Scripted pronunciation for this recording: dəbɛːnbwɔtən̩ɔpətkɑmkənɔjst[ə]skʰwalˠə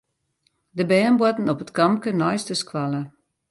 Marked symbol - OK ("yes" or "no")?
yes